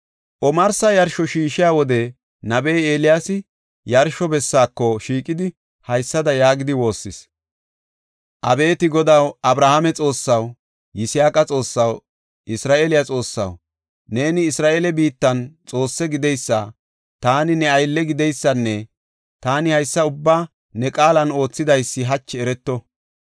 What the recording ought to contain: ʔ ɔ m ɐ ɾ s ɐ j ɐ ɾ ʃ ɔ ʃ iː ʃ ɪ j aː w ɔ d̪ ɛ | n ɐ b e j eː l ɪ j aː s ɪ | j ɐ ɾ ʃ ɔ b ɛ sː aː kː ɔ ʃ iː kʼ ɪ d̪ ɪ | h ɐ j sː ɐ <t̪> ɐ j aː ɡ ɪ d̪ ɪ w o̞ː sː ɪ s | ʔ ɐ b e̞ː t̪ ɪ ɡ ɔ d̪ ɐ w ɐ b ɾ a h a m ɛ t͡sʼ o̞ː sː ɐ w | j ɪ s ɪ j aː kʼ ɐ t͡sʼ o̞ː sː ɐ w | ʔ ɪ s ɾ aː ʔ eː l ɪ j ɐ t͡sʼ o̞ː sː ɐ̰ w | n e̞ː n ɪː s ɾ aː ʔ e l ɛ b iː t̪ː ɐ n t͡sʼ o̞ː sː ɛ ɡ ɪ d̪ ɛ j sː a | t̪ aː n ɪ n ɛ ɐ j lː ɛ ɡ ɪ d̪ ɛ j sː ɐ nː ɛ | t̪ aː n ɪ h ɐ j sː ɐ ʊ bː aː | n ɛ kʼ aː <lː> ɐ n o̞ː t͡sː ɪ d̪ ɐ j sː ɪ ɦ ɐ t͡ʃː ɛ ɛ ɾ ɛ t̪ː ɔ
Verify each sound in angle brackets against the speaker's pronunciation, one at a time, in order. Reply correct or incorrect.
incorrect: d̪, incorrect: l

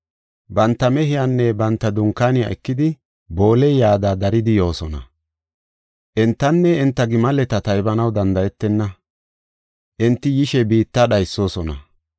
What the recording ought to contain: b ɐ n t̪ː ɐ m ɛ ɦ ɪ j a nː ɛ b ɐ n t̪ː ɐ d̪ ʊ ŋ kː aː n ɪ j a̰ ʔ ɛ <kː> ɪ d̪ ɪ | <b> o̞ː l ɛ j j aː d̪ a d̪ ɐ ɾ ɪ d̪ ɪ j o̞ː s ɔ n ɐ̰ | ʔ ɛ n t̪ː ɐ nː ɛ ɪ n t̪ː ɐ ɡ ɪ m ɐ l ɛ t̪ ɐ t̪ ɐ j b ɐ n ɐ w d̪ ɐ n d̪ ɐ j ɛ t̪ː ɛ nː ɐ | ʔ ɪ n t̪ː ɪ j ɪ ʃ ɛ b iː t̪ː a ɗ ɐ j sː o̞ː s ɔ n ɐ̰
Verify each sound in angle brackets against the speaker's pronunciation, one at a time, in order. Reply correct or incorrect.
correct, correct

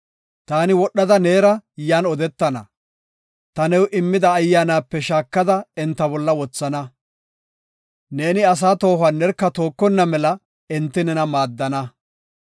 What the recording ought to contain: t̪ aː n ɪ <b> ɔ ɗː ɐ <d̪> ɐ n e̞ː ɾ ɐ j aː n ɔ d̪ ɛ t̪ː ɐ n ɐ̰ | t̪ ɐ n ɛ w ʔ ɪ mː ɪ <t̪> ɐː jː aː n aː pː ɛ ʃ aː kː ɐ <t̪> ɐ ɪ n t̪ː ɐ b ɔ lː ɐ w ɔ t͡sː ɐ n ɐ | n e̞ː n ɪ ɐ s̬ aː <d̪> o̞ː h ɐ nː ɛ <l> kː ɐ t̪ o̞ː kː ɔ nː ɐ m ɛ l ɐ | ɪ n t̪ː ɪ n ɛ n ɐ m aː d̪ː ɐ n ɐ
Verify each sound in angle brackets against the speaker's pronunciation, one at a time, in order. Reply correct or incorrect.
incorrect: w, correct, incorrect: d̪, incorrect: d̪, incorrect: t̪, incorrect: ɾ

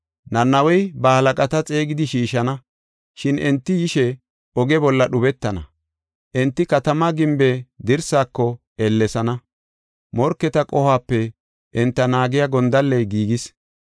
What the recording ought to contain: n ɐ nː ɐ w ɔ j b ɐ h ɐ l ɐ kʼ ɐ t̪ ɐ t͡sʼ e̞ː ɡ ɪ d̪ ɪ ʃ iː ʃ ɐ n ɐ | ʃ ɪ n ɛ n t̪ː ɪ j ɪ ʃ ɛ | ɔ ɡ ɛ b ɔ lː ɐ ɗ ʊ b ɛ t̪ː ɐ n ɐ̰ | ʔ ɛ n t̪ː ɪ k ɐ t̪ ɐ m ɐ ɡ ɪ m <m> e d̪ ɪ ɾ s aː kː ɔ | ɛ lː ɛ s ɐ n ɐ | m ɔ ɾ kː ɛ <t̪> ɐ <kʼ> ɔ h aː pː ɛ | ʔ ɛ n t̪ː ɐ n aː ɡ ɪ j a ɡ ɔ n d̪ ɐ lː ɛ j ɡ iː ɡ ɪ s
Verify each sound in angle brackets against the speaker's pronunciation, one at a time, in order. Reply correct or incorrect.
incorrect: b, correct, correct

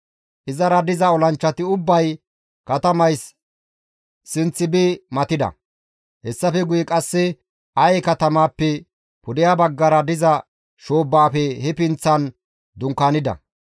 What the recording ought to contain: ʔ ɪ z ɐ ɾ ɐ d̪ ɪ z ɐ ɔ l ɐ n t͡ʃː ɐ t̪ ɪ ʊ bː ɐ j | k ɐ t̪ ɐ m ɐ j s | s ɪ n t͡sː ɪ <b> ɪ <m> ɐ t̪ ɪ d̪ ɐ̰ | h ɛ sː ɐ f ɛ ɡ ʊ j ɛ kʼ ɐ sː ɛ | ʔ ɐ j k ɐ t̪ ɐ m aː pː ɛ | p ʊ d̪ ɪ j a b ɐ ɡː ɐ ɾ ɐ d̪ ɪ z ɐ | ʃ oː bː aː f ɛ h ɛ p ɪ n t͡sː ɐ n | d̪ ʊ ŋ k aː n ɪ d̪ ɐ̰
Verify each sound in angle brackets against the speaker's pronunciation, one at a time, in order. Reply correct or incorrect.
correct, correct

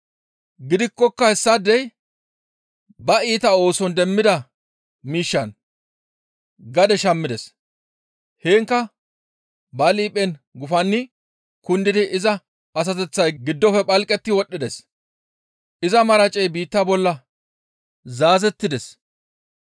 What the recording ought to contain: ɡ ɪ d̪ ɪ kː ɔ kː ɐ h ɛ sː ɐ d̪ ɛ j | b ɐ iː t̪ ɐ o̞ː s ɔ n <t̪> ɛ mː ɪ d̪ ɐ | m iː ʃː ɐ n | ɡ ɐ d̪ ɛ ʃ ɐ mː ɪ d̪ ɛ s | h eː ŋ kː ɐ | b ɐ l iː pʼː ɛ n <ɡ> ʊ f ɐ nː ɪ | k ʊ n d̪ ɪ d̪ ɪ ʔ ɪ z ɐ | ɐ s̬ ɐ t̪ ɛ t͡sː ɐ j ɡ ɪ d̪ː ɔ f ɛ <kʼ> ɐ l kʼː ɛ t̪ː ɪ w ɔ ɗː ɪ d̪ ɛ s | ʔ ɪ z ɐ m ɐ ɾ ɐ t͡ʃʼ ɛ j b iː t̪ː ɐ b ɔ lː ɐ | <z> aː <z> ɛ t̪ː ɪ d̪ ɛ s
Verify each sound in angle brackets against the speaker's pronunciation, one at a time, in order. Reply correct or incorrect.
incorrect: d̪, correct, incorrect: pʼ, correct, correct

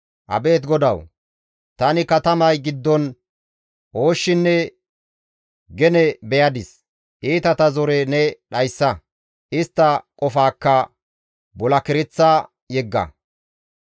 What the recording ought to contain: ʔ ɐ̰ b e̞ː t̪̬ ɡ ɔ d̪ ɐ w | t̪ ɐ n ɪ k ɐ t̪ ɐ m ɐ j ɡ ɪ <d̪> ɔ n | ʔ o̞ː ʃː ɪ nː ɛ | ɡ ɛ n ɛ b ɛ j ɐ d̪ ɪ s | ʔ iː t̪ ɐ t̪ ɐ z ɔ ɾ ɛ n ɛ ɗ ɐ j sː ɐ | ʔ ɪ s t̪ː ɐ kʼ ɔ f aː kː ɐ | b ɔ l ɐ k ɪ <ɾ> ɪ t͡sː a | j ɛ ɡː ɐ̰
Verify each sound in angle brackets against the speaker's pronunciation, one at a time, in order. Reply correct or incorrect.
incorrect: d̪ː, correct

